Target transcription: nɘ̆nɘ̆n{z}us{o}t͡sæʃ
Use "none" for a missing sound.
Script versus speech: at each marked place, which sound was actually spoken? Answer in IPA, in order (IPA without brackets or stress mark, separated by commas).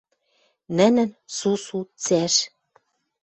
s, u